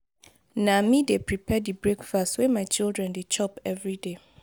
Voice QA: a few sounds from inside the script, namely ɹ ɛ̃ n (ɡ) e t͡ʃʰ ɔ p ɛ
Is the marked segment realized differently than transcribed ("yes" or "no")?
yes